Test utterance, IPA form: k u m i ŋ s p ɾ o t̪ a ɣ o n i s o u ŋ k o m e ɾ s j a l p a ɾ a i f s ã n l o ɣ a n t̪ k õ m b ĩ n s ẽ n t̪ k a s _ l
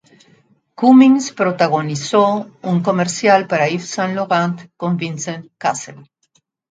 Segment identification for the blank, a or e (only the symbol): e